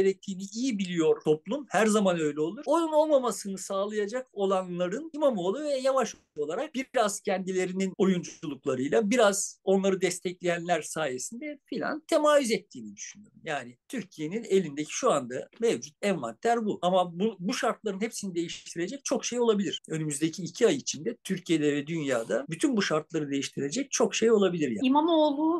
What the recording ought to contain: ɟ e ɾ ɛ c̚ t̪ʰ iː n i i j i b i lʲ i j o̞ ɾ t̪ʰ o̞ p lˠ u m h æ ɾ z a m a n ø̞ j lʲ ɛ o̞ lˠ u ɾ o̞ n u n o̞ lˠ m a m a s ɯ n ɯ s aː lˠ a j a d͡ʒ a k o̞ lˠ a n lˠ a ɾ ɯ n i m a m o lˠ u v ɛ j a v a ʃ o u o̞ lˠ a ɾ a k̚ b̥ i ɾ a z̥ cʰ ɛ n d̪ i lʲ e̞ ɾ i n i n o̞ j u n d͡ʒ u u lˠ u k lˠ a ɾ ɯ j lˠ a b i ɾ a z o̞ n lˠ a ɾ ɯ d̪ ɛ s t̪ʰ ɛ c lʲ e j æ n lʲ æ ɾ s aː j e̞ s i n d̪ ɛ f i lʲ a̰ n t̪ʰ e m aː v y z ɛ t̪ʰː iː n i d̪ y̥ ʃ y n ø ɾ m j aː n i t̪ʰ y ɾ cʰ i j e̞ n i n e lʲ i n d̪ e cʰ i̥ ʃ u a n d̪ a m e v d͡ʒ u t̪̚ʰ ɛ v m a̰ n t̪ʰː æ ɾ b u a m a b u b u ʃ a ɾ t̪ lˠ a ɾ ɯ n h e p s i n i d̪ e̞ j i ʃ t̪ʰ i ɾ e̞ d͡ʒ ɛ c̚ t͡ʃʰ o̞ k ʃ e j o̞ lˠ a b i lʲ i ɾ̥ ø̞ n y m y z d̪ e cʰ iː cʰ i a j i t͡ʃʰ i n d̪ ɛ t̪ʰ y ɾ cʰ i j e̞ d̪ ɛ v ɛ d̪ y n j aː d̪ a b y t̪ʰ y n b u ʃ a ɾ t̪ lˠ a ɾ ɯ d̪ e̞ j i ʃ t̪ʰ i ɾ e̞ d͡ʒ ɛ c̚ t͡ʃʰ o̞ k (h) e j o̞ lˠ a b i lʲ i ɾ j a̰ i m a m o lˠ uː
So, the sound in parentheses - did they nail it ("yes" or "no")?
no